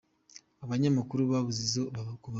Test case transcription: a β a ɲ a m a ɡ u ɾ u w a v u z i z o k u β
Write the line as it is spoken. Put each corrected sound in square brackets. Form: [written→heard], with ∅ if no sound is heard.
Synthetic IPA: a β a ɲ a m a [ɡ→k] u ɾ u [w→β] a [v→β] u z i z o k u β